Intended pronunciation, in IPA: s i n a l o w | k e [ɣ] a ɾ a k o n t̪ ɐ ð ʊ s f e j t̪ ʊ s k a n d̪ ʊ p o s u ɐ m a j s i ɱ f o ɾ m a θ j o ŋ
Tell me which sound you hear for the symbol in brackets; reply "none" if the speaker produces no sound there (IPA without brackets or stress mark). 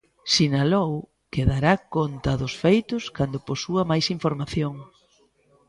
ð